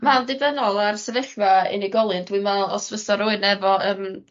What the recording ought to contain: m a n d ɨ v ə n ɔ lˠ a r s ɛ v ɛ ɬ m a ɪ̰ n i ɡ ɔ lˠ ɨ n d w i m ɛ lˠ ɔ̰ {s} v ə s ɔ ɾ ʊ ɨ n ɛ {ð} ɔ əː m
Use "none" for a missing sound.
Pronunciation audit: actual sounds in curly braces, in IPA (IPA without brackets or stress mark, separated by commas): s, v